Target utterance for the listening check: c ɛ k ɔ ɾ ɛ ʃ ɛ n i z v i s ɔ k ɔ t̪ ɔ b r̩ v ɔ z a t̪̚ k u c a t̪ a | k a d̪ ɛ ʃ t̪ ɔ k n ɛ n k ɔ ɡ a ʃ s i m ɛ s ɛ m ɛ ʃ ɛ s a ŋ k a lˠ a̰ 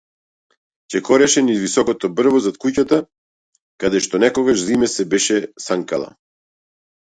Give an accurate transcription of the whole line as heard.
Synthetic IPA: c ɛ k ɔ ɾ ɛ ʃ ɛ n i z v i s ɔ k ɔ t̪ ɔ b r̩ v ɔ z a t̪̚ k u c a t̪ a | k a d̪ ɛ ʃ t̪ ɔ n ɛ k ɔ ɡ a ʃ z i m ɛ s ɛ b ɛ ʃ ɛ s a ŋ k a lˠ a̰